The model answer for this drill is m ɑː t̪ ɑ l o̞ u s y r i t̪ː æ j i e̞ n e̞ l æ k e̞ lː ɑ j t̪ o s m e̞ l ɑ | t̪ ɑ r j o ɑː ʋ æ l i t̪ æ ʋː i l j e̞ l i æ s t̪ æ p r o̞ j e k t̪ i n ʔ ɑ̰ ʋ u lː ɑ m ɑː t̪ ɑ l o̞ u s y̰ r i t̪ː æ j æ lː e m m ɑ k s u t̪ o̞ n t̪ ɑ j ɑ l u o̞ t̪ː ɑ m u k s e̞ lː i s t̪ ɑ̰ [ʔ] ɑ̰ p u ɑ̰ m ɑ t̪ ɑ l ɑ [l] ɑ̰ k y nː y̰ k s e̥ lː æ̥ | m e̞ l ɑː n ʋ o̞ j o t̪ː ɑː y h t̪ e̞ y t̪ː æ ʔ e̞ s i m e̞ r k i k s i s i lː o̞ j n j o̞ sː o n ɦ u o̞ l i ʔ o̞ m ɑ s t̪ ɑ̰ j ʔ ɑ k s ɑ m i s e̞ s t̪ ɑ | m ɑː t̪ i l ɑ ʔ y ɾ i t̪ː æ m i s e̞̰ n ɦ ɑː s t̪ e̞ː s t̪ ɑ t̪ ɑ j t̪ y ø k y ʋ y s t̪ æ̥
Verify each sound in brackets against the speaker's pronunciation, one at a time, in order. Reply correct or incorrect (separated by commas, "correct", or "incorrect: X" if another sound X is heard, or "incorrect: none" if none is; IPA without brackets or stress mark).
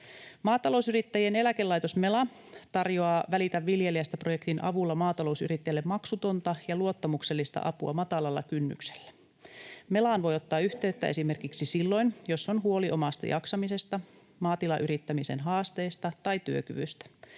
correct, incorrect: lː